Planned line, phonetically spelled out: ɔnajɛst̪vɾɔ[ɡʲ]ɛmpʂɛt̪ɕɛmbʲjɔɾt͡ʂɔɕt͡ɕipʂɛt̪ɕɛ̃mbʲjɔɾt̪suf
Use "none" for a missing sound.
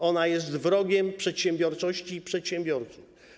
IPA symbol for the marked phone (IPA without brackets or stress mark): ɡʲ